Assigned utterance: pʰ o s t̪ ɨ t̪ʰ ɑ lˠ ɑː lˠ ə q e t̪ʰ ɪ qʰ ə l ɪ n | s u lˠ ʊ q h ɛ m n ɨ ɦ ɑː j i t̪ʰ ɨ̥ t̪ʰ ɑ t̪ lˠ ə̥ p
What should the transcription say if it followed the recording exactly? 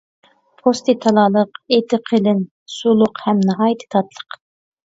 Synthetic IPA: pʰ o s t̪ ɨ t̪ʰ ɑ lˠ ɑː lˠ ə q e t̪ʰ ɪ qʰ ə l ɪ n | s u lˠ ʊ q h ɛ m n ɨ ɦ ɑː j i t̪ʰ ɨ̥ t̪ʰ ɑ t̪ lˠ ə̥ q